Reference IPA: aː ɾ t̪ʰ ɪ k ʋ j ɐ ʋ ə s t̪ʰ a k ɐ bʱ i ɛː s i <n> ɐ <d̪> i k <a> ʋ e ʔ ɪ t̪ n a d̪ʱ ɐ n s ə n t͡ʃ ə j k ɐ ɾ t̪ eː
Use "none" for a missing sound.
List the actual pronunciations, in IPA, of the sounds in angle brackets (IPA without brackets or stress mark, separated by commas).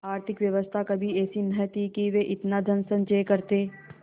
n, t̪, i